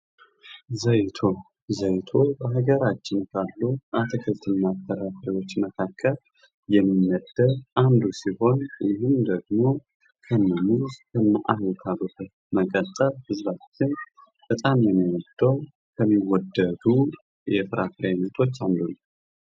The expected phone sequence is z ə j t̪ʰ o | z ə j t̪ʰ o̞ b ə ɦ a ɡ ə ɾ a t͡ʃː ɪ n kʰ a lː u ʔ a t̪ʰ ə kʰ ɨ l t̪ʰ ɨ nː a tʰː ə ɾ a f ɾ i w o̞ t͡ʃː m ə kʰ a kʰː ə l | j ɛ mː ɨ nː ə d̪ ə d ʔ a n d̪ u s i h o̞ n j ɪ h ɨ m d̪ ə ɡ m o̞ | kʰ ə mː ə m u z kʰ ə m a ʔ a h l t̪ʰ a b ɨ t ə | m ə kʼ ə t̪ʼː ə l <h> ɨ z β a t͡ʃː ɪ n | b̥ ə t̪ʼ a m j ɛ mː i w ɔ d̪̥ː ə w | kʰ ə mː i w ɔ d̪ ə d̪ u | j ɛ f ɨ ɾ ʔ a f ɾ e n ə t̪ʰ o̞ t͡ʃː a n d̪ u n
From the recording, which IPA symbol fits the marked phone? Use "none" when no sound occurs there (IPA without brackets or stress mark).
h